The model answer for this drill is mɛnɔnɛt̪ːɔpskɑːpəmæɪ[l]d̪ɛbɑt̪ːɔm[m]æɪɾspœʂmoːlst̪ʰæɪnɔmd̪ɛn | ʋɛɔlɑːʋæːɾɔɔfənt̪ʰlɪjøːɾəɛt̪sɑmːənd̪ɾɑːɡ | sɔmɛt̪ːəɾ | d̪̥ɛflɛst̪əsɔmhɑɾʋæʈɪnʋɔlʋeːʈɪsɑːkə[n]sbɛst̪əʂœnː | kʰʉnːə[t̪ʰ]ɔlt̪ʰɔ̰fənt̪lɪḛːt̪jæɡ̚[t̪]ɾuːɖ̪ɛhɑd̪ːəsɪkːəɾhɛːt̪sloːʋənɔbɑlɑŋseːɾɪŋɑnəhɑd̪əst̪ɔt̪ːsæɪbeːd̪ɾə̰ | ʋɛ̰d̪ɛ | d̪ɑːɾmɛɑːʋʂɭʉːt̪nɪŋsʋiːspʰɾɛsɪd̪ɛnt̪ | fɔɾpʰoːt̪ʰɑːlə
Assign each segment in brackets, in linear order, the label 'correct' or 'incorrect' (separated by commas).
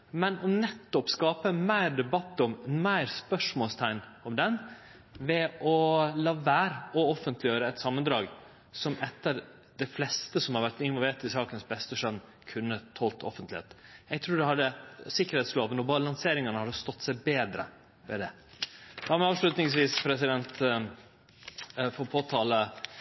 incorrect, correct, correct, correct, incorrect